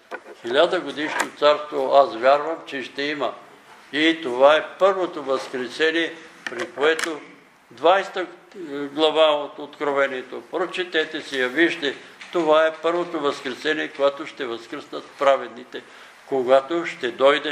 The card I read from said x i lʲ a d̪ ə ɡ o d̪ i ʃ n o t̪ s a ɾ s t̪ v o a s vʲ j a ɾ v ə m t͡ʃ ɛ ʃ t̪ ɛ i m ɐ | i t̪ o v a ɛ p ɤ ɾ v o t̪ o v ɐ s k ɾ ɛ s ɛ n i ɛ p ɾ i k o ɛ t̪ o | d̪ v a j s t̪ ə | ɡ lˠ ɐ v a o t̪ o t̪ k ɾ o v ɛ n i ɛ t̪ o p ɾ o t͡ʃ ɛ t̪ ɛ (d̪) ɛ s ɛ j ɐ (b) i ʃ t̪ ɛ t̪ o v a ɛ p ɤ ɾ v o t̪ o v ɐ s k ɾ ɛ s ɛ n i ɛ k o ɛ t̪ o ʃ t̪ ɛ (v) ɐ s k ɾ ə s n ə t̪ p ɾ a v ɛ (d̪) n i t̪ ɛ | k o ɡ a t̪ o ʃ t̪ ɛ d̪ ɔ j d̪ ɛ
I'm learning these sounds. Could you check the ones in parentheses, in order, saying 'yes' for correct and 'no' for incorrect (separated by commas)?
no, no, yes, yes